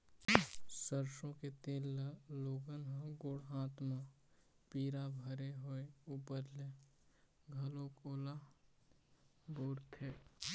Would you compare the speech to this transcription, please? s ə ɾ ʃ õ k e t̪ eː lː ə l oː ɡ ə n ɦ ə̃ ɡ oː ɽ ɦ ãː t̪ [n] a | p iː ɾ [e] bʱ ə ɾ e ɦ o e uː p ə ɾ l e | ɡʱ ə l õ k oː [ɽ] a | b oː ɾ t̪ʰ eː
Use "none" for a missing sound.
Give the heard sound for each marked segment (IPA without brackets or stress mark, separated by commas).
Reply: m, a, l